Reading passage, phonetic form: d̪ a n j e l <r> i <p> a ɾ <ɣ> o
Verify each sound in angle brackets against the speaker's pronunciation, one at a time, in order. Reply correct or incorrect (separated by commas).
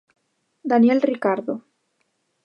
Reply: correct, incorrect, incorrect